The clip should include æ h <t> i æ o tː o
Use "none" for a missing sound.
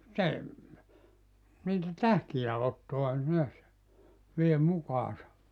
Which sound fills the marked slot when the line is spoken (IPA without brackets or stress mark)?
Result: k